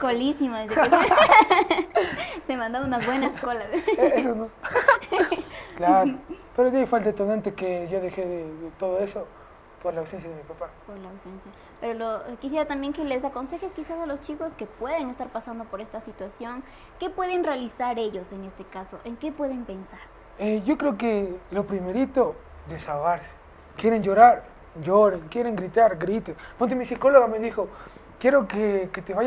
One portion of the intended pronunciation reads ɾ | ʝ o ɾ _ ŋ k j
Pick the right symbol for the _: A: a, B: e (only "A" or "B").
B